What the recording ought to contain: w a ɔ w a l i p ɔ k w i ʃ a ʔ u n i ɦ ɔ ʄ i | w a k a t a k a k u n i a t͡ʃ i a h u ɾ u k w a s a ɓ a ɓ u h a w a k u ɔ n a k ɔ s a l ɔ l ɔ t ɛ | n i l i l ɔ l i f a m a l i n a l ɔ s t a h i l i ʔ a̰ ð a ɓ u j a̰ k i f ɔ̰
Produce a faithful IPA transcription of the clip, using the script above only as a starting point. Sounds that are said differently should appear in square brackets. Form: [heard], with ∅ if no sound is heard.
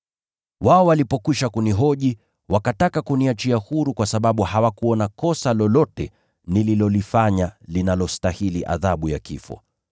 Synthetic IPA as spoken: w a ɔ w a l i p ɔ k w i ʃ a [k] u n i ɦ ɔ ʄ i | w a k a t a k a k u n i a t͡ʃ i a h u ɾ u k w a s a ɓ a ɓ u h a w a k u ɔ n a k ɔ s a l ɔ l ɔ t ɛ | n i l i l ɔ l i f a [ɲ] a l i n a l ɔ s t a h i l i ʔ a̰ ð a ɓ u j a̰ k i f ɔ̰